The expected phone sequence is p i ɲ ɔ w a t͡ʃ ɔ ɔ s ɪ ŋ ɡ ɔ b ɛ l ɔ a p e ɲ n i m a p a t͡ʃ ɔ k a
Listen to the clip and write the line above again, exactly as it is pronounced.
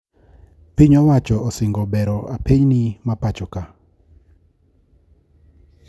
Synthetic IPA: p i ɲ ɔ w a t͡ʃ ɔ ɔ s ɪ ŋ ɡ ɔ b ɛ ɾ ɔ a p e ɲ n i m a p a t͡ʃ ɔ k a